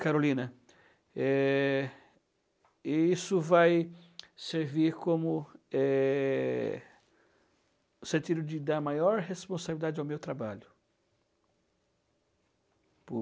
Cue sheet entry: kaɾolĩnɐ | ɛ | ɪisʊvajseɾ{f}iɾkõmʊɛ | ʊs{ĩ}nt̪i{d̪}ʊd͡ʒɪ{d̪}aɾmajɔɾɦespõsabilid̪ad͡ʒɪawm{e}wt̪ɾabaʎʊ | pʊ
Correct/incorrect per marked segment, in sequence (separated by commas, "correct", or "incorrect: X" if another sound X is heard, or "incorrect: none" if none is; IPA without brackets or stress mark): incorrect: v, incorrect: ẽ, correct, correct, correct